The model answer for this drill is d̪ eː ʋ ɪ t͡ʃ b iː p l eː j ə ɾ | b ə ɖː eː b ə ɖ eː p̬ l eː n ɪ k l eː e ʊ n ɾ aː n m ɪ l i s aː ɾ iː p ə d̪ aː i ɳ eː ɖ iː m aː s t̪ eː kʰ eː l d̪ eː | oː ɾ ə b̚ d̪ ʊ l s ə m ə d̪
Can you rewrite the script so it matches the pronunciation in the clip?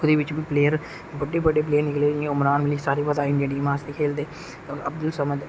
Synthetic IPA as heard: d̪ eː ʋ ɪ t͡ʃ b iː p l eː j ə ɾ | b ə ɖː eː b ə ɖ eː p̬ l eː n ɪ k l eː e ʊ m ɾ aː n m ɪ l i s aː ɾ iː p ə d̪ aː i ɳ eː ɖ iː m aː s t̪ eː kʰ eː l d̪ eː | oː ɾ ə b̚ d̪ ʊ l s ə m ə d̪